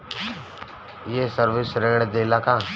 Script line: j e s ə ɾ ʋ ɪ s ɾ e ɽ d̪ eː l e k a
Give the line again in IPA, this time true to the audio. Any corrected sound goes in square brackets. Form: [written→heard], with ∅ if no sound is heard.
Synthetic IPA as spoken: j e s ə ɾ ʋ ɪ s ɾ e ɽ d̪ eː l [e→a] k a